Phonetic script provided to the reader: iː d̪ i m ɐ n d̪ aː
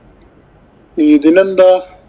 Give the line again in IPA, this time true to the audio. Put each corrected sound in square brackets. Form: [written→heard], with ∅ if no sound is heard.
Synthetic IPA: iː d̪ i [m→n] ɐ n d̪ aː